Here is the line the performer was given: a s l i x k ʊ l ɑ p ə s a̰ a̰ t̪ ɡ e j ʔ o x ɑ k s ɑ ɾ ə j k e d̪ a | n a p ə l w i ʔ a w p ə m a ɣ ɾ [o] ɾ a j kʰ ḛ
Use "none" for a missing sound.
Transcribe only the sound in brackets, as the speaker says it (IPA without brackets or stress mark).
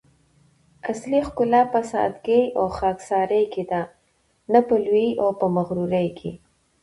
u